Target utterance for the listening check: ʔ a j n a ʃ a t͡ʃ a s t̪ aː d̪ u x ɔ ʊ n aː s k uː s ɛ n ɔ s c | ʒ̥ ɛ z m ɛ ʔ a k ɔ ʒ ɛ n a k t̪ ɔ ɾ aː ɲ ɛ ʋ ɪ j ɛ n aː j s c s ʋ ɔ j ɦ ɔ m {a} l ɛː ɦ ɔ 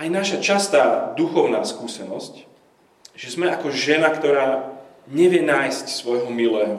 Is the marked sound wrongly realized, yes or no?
yes